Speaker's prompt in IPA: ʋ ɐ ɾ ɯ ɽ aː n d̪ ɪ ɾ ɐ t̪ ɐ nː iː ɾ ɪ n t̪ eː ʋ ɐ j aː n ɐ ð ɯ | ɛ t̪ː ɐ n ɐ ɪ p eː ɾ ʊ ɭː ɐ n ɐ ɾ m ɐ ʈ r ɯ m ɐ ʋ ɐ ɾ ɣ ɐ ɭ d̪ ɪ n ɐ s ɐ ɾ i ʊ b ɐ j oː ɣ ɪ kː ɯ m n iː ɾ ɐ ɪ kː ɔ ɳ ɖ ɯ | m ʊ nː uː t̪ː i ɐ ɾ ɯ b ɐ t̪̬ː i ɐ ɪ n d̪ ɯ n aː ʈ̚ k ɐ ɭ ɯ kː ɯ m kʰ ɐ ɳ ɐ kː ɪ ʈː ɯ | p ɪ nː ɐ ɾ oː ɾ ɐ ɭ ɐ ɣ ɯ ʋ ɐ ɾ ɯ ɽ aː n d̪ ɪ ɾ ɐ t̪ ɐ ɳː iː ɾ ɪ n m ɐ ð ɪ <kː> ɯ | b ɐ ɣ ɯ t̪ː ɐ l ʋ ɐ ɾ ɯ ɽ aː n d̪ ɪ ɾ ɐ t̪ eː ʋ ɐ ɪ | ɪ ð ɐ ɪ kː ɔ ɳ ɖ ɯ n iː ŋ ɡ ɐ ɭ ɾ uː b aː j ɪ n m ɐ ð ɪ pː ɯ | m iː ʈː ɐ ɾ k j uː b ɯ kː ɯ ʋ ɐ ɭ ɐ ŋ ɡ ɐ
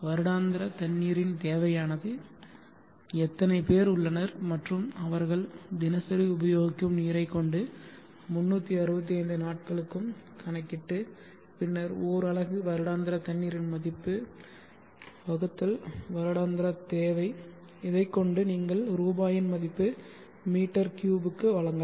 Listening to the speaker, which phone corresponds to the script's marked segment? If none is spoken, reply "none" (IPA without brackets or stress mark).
pː